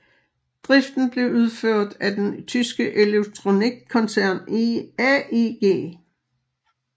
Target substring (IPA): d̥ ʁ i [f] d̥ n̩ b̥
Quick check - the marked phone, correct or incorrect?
correct